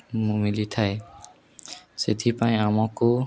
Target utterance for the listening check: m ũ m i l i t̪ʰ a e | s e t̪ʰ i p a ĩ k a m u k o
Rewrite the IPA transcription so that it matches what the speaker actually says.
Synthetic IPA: m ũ m i l i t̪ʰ a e | s e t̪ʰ i p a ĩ a m ɔ k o